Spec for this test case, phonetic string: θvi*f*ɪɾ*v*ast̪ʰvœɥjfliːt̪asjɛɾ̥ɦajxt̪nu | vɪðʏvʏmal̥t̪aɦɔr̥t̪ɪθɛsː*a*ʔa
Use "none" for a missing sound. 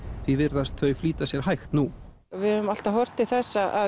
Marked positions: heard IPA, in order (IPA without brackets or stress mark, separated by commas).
v, ð, a